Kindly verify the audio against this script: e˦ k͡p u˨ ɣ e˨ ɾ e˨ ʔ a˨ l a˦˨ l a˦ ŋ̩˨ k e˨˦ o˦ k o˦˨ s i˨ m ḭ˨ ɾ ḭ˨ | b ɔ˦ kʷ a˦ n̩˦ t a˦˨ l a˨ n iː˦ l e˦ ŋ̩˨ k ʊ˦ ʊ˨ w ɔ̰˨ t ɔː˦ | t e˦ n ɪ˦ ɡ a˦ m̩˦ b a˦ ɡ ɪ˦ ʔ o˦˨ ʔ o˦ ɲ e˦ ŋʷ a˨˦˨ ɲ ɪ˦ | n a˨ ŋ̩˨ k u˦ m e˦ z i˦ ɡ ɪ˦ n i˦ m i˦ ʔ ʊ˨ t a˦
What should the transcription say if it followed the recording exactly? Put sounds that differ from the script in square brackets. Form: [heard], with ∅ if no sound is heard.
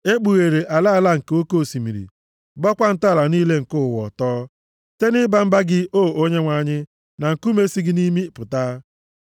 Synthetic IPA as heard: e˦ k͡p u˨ ɣ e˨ ɾ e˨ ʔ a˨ l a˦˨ l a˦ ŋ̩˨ k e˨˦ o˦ k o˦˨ s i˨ m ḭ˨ ɾ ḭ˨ | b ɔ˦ kʷ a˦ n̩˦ t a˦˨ l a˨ n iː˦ l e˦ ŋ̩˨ k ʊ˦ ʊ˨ w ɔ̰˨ t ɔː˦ | t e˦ n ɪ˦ [b] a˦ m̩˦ b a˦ ɡ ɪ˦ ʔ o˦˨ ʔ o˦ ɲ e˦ ŋʷ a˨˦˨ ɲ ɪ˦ | n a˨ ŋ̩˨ k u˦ m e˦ [s] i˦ ɡ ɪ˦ n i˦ m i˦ [p] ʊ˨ t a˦